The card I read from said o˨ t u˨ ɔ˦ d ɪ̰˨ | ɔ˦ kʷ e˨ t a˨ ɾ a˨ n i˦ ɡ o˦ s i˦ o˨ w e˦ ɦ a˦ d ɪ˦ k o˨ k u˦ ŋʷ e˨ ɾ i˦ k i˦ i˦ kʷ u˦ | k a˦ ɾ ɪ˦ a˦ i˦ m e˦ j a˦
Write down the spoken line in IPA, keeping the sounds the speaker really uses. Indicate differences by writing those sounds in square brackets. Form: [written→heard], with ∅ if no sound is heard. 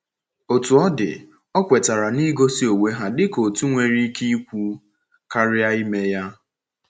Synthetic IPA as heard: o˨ t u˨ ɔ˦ d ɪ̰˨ | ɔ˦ kʷ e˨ t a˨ ɾ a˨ n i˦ ɡ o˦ s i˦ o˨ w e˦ ɦ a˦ d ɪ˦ k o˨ [k→t] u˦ ŋʷ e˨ ɾ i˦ k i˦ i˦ kʷ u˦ | k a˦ ɾ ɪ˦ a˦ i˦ m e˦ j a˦